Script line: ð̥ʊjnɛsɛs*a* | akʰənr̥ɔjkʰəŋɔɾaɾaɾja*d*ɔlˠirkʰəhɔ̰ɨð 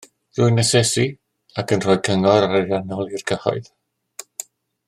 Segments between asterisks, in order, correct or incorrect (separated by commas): incorrect, incorrect